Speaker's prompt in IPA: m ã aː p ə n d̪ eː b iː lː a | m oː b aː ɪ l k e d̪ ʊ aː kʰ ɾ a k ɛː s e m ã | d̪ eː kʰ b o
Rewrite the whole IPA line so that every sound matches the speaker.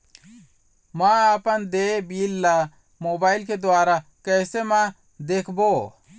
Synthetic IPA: m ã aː p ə n d̪ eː b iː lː a | m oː b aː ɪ l k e d̪ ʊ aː ɾ a k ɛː s e m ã | d̪ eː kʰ b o